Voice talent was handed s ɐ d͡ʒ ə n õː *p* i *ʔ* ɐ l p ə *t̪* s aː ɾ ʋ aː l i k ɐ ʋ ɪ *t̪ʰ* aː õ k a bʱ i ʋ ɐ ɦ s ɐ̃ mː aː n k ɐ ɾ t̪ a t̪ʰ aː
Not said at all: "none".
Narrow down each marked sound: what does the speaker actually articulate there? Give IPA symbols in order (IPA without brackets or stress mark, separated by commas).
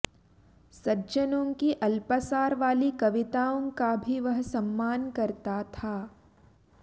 k, ʔ, none, t̪